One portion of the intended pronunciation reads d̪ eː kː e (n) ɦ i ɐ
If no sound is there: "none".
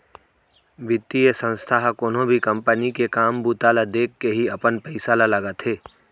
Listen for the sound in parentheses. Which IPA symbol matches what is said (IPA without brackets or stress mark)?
none